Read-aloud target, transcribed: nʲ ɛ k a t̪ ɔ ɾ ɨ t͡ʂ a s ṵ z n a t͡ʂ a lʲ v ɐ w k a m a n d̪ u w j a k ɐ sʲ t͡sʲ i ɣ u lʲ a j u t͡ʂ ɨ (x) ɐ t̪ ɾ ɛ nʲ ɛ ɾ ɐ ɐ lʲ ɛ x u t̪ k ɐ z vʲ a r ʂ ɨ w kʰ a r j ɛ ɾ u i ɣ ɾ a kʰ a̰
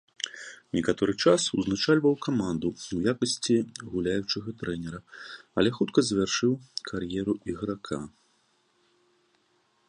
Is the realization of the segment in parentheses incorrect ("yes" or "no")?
yes